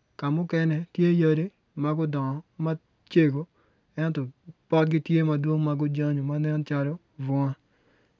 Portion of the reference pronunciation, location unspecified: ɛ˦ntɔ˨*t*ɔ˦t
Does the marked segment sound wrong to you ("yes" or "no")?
yes